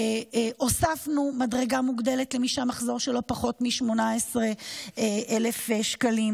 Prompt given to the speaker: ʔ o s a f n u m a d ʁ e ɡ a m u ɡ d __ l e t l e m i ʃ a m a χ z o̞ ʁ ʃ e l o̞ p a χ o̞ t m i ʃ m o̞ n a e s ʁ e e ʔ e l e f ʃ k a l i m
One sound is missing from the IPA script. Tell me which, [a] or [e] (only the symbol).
e